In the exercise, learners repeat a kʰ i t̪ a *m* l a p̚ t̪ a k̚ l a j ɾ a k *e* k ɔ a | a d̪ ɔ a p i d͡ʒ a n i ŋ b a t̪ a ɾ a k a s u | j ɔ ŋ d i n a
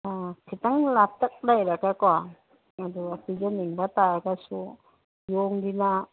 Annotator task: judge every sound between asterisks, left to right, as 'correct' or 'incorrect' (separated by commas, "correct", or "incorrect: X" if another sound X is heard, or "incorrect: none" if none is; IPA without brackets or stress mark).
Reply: incorrect: ŋ, incorrect: a